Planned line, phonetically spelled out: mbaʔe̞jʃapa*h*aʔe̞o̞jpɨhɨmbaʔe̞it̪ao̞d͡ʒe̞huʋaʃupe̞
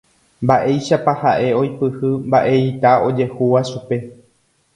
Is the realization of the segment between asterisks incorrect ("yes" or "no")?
no